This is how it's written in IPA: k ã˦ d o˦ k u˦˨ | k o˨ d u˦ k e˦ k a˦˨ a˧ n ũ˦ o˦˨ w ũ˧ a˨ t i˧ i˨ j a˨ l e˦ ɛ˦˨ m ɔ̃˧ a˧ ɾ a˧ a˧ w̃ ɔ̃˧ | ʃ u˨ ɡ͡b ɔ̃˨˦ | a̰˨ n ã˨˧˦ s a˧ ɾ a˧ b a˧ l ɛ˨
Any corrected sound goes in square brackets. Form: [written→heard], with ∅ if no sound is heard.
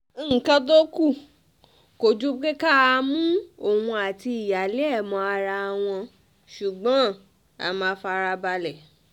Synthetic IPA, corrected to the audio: k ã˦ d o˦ k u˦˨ | k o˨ [d→d͡ʒ] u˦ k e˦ k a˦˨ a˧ [n→m] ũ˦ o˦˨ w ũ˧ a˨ t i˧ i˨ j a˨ l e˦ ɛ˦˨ m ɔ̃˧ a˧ ɾ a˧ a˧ w̃ ɔ̃˧ | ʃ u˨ ɡ͡b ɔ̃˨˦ | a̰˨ [n→m] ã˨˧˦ [s→f] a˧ ɾ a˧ b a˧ l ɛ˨